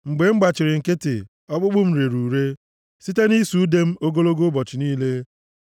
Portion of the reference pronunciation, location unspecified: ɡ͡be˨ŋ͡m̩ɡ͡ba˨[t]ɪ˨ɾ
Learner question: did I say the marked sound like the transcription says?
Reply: no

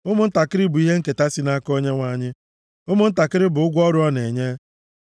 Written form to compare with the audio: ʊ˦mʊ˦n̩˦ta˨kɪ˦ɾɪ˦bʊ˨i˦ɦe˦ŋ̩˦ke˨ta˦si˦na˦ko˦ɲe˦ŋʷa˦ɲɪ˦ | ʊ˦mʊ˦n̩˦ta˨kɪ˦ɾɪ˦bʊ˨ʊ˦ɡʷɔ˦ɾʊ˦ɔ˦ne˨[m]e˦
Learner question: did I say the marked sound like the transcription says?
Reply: no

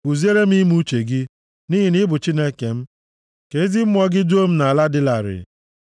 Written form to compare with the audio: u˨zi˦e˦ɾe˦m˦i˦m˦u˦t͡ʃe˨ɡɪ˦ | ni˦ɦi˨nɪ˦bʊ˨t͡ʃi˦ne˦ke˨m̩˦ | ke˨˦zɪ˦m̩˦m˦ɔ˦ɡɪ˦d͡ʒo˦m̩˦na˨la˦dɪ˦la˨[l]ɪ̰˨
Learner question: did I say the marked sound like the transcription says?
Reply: no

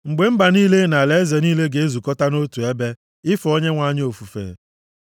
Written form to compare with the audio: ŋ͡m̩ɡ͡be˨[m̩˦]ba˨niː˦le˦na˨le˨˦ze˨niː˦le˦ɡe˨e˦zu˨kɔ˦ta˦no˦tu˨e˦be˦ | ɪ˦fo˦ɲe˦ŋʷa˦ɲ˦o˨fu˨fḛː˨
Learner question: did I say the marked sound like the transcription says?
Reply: yes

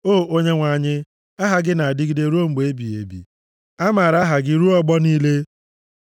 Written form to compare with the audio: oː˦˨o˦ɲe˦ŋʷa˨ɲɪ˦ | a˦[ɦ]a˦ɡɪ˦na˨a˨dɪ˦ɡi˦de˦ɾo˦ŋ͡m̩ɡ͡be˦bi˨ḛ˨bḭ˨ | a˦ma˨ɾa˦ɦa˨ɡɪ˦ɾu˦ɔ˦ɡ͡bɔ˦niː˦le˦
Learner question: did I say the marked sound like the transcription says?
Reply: yes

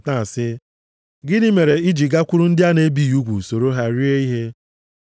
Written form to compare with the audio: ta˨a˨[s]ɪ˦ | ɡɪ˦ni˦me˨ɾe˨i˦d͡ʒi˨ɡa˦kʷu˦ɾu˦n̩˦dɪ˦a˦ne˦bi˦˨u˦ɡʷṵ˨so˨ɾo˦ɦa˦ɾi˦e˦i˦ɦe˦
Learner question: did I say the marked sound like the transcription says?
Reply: yes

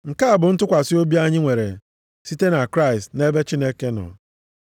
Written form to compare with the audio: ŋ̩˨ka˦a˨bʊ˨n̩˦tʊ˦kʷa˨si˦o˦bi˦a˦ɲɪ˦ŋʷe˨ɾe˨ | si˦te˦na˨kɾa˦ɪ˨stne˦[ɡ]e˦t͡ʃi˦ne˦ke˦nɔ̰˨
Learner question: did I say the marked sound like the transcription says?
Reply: no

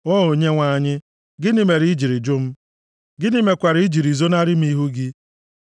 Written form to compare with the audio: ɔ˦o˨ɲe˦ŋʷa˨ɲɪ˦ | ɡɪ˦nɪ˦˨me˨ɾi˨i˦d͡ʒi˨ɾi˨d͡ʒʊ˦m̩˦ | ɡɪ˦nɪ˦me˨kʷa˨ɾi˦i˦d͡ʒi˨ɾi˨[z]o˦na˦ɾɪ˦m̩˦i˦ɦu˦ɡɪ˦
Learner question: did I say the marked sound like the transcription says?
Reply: yes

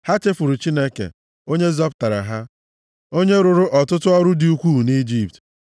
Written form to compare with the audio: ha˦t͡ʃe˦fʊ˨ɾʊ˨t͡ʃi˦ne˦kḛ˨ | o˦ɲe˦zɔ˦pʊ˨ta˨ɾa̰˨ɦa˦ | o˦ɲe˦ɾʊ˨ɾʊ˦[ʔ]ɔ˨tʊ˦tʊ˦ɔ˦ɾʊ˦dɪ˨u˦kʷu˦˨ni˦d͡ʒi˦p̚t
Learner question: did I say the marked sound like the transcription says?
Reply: yes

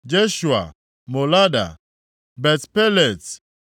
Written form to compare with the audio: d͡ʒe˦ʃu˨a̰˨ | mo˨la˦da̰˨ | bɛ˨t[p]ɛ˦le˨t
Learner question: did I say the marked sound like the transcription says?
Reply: yes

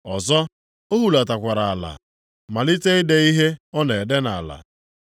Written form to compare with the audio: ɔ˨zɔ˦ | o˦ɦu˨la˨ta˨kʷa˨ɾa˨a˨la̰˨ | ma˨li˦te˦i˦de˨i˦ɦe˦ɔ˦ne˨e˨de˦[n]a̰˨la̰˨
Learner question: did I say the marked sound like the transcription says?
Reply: yes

